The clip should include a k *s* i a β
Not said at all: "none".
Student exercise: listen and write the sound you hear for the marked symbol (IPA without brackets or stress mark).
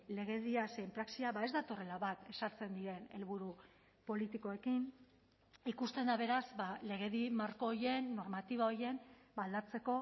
s